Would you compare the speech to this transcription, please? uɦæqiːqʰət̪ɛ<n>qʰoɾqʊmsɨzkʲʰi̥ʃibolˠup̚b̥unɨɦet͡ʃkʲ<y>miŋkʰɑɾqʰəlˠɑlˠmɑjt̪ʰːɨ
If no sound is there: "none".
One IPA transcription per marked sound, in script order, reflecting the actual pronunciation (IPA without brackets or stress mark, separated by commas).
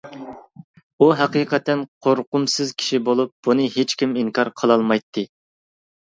n, i